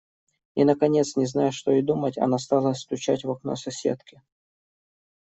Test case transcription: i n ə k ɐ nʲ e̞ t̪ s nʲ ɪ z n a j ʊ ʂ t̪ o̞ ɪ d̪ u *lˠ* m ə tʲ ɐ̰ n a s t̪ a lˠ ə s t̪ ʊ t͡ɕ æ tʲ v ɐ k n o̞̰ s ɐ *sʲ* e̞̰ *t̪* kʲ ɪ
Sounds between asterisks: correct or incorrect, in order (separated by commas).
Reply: incorrect, correct, correct